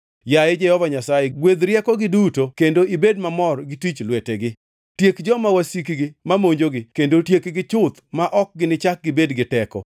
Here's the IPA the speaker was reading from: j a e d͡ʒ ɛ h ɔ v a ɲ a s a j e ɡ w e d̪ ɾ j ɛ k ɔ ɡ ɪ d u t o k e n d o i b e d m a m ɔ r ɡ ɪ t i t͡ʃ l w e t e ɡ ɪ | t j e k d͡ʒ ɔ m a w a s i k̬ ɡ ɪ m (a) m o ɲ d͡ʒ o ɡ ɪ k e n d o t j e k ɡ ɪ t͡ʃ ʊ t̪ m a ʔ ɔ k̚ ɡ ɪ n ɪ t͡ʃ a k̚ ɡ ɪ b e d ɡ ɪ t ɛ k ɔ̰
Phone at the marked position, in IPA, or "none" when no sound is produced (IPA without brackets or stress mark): a